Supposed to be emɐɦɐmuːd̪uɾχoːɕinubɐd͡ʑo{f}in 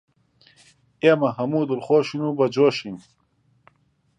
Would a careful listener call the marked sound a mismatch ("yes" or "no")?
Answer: yes